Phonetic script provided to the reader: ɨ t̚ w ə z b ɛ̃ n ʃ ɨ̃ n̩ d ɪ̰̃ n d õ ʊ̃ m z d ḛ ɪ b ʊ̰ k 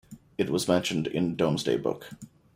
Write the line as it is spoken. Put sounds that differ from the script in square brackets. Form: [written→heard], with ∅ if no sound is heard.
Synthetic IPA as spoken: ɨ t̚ w [ə→ʌ] z [b→m] ɛ̃ n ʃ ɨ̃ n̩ d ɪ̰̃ n d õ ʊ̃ m z d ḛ ɪ b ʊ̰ k

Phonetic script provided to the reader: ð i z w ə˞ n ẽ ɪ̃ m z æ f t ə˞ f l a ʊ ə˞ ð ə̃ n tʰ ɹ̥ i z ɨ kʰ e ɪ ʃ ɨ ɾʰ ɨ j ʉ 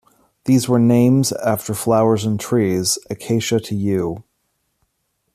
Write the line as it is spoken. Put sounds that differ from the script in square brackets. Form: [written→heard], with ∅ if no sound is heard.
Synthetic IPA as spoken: ð i z w ə˞ n ẽ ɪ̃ m z æ f t ə˞ f l a ʊ ə˞ [ð→z] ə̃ n tʰ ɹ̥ i z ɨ kʰ e ɪ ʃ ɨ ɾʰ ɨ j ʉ

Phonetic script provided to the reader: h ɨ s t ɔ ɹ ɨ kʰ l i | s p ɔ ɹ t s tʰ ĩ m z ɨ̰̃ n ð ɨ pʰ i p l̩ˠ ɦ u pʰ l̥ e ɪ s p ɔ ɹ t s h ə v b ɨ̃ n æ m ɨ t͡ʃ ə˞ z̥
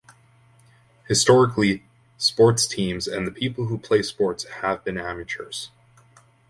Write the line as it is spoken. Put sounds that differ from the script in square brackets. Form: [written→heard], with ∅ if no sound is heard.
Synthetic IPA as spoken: h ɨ s t ɔ ɹ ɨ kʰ l i | s p ɔ ɹ t s tʰ ĩ m z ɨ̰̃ n ð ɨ pʰ i p l̩ˠ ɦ u pʰ l̥ e ɪ s p ɔ ɹ t s h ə v b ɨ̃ n æ m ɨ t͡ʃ ə˞ z̥

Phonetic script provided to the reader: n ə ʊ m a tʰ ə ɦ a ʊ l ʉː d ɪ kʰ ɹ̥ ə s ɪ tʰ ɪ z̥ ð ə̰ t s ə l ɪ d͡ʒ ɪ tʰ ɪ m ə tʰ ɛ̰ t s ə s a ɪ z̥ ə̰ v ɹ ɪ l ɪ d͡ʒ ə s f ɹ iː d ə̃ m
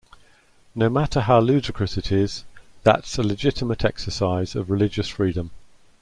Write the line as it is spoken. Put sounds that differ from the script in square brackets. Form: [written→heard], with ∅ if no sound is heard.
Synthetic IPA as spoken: n ə ʊ m a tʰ ə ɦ a ʊ l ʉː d ɪ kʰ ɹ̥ ə s ɪ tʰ ɪ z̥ ð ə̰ t s ə l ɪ d͡ʒ ɪ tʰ ɪ m ə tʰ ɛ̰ [t→k] s ə s a ɪ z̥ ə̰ v ɹ ɪ l ɪ d͡ʒ ə s f ɹ iː d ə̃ m

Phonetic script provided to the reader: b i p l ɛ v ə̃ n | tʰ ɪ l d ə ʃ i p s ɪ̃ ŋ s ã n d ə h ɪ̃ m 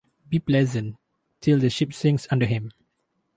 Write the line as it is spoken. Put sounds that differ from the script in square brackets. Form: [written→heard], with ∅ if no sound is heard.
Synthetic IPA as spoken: b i p l ɛ [v→z] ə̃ n | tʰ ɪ l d ə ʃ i p s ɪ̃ ŋ s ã n d ə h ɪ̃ m

